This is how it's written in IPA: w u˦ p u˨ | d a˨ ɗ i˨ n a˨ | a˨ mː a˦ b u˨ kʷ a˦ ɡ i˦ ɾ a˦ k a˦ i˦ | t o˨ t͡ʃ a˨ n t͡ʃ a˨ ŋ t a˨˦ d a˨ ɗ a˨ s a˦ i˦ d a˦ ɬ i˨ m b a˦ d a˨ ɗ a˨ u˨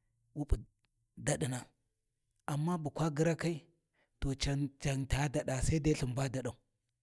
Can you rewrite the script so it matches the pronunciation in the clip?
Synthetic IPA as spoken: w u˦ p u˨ | d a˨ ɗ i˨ n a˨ | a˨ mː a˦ b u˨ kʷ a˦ ɡ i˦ ɾ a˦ k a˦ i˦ | t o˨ t͡ʃ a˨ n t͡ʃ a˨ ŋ t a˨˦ d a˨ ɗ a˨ s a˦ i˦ d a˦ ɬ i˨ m b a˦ d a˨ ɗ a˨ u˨